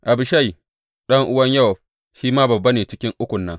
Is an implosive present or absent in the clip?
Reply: present